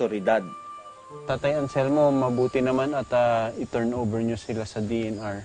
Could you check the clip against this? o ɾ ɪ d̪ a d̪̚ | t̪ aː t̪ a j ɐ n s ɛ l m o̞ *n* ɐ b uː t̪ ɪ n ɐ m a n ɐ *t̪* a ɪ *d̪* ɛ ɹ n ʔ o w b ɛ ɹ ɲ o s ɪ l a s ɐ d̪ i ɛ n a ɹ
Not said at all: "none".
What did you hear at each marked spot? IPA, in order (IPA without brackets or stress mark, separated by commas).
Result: m, t̪, t̪